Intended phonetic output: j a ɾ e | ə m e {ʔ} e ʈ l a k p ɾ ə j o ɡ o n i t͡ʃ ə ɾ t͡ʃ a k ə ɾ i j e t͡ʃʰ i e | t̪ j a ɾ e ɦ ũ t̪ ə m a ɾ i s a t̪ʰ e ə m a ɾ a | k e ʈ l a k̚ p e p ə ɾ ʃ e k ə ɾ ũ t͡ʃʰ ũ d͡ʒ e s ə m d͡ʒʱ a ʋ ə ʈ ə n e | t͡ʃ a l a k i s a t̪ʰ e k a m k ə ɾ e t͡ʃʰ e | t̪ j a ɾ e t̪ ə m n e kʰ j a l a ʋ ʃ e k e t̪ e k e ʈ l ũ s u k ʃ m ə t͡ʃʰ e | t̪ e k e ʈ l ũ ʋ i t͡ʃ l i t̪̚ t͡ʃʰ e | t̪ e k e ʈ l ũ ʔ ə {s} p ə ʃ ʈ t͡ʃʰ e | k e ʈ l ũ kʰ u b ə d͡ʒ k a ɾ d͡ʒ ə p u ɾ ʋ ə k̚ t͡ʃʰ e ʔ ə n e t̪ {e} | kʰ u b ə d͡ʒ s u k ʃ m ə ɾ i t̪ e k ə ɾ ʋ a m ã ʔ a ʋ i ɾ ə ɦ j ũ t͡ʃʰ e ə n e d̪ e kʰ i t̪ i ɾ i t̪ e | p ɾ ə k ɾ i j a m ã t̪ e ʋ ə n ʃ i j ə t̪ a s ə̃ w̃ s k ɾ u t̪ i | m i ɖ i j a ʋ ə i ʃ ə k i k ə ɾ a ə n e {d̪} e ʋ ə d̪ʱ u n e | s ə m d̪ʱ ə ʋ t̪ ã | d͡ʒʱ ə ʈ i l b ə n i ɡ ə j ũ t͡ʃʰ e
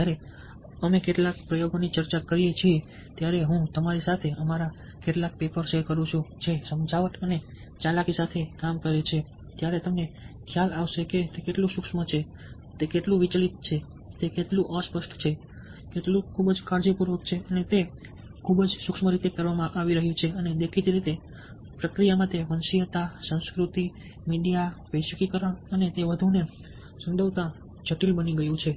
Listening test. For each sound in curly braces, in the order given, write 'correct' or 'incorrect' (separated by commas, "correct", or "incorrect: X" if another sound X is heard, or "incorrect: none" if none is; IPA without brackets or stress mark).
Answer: incorrect: k, correct, correct, incorrect: t̪